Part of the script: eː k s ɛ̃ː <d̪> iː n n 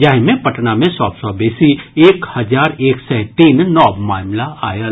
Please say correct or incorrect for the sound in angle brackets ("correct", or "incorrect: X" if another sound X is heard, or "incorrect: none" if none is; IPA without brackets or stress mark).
incorrect: t̪